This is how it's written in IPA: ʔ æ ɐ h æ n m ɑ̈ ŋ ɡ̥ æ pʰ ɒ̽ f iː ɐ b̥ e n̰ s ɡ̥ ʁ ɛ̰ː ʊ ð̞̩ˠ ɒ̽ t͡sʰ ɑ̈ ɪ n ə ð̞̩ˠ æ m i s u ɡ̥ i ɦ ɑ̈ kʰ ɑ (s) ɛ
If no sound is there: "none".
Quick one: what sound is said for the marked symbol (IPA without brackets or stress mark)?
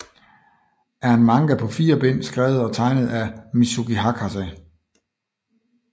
s